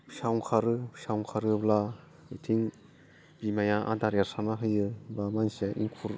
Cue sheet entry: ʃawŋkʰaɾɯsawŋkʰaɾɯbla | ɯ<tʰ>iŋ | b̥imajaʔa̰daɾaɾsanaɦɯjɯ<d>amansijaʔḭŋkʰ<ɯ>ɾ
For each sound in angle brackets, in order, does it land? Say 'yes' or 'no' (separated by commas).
yes, no, no